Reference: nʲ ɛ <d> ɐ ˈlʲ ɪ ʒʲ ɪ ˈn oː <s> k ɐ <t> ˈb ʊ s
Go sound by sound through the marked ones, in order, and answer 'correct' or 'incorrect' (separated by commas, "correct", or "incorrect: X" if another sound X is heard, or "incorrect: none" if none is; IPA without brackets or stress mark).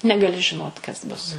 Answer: incorrect: ɡ, incorrect: t, incorrect: s